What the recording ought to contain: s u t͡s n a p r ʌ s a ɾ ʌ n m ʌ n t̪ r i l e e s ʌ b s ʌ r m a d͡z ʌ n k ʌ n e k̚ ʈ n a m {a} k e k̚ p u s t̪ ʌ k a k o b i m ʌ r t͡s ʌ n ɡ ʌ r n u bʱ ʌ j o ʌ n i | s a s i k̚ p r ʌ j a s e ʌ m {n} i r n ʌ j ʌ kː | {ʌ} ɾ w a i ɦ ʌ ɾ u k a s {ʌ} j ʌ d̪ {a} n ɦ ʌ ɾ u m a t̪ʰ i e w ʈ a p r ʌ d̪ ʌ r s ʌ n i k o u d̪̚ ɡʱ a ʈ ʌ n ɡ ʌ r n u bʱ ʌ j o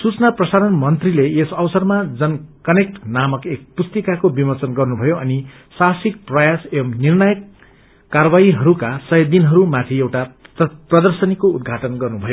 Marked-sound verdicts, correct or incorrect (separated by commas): incorrect, correct, incorrect, correct, incorrect